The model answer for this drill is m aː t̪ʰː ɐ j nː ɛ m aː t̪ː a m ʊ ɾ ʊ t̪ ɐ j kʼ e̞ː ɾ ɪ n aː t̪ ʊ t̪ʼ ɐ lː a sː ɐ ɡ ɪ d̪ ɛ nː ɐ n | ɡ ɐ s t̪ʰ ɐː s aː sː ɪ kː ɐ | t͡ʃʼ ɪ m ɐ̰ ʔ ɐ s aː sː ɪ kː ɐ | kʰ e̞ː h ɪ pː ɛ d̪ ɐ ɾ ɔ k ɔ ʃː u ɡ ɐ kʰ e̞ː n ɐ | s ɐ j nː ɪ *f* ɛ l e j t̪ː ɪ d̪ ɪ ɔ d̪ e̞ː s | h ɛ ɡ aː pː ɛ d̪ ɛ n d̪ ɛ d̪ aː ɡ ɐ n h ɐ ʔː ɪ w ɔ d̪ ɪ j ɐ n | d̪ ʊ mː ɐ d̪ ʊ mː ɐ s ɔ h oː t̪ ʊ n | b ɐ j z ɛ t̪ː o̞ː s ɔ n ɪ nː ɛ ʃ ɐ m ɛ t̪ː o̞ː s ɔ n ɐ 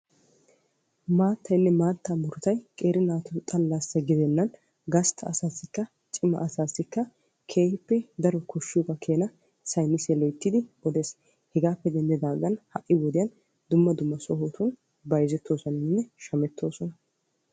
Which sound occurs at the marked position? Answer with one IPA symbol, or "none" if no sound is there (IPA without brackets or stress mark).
s